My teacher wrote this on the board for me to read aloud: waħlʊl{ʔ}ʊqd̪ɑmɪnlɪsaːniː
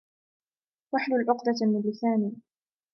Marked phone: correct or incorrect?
correct